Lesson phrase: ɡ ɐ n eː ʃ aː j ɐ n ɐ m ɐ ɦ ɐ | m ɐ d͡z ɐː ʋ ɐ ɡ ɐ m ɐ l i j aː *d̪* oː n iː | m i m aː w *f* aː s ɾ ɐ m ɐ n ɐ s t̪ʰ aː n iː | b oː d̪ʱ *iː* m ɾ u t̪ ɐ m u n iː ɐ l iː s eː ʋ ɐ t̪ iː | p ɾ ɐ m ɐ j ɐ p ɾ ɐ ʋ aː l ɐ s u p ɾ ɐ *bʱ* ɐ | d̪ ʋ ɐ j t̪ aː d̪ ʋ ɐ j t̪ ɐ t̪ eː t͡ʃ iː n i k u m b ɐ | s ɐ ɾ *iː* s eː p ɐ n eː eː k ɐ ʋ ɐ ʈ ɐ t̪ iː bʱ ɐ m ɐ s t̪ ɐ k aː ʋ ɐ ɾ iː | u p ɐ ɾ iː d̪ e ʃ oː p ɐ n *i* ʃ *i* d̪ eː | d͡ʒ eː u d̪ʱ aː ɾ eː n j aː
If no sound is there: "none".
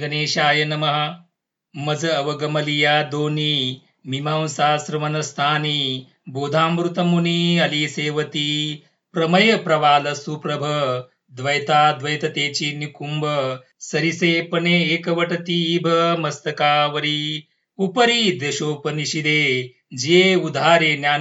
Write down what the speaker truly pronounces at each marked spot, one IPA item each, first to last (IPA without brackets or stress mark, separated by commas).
d̪, s, aː, bʱ, i, i, i